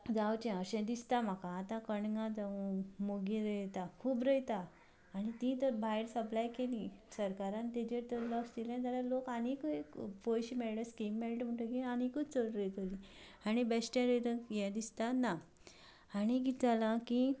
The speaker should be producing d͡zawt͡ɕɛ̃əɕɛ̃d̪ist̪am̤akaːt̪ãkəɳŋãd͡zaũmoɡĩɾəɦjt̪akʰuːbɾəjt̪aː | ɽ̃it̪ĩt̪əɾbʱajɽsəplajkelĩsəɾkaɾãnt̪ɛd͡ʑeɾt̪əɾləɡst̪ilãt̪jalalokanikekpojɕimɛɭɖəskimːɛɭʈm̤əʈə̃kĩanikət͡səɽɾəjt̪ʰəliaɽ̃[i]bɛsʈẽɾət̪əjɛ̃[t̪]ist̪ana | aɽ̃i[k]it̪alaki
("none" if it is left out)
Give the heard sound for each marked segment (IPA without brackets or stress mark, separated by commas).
i, d̪, ɡ